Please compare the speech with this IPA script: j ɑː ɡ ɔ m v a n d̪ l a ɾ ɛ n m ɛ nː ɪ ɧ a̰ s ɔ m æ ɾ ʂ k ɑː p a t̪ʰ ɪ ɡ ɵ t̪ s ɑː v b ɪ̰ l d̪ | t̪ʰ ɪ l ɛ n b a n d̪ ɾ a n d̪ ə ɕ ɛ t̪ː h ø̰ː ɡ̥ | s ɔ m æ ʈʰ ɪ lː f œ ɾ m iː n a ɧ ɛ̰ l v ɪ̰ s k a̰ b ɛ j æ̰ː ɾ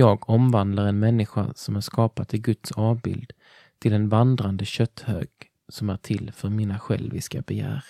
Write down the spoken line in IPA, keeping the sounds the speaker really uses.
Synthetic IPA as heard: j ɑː ɡ ɔ m v a n d̪ l a ɾ ɛ n m ɛ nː ɪ ɧ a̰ s ɔ m æ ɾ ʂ k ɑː p a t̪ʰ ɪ ɡ ɵ t̪ s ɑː v b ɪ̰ l d̪ | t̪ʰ ɪ l ɛ n v a n d̪ ɾ a n d̪ ə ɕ œ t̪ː h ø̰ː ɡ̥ | s ɔ m æ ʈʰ ɪ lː f œ ɾ m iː n a ɧ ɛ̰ l v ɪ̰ s k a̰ b ɛ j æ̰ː ɾ